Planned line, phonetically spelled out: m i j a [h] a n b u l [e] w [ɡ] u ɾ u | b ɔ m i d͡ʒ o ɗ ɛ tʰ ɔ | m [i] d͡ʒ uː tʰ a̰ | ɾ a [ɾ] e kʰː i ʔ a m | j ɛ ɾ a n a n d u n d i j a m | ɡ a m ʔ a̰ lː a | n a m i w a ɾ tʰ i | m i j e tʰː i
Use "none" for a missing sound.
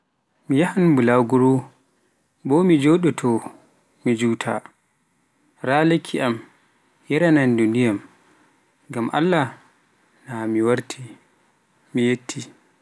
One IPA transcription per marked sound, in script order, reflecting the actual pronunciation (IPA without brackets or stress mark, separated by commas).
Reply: h, a, ɡ, i, l